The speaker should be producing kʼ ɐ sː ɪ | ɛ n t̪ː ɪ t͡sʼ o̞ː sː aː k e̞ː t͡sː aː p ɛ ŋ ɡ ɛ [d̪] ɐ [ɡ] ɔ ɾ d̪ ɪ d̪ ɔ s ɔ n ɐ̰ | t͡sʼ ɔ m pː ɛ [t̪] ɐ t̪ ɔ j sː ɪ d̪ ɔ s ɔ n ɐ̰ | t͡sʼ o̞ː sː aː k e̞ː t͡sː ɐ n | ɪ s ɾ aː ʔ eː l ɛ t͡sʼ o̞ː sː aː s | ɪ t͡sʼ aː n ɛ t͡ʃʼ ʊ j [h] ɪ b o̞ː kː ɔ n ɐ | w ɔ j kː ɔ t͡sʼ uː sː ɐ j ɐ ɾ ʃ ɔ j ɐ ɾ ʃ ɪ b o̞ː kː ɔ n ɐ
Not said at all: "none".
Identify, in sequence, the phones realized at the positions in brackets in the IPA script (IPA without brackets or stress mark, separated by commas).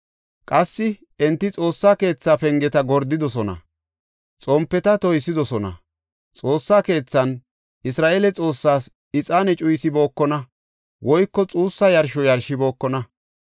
t̪, ɡ, t̪, s